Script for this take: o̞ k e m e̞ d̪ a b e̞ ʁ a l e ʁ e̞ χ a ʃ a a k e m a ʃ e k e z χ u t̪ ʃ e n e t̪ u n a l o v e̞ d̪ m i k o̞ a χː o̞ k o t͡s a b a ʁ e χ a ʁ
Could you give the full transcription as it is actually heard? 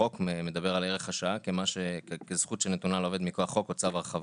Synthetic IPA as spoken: o̞ k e m e̞ d̪ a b e̞ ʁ a l e ʁ e̞ χ a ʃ a a k e m a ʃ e k e z χ u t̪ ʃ e n e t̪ u n a l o v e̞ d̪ m i k o̞ a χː o̞ k o t͡s a v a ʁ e χ a v